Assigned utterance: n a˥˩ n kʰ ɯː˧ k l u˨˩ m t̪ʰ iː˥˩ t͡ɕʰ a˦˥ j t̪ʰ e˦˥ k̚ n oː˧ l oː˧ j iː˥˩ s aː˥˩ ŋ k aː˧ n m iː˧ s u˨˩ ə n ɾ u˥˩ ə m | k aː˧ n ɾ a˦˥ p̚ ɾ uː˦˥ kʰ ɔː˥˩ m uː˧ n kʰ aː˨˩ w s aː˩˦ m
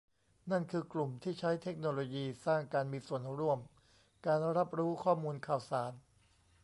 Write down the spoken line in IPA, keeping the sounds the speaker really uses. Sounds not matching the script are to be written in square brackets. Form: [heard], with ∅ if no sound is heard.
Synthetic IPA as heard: n a˥˩ n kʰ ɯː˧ k l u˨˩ m t̪ʰ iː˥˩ t͡ɕʰ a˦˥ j t̪ʰ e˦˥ k̚ n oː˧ l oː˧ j [iː˧] s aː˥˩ ŋ k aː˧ n m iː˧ s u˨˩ ə n ɾ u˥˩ ə m | k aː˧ n ɾ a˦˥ p̚ ɾ uː˦˥ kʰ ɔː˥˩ m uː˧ n kʰ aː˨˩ w s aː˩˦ [n]